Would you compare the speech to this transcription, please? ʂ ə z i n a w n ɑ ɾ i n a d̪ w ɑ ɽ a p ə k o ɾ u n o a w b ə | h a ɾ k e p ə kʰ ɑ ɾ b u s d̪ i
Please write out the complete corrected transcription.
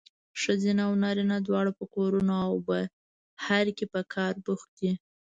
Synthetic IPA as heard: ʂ ə z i n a w n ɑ ɾ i n a d̪ w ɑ ɽ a p ə k o ɾ u n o a w b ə | h a ɾ k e p ə kʰ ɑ ɾ b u x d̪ i